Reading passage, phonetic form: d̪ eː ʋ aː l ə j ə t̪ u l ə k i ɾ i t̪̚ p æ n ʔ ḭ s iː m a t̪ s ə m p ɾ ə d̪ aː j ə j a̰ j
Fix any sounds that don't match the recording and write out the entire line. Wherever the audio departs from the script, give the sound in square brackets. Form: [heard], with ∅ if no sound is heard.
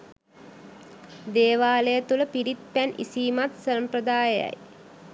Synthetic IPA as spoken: d̪ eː ʋ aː l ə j ə t̪ u l ə [p] i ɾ i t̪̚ p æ n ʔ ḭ s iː m a t̪ s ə m p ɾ ə d̪ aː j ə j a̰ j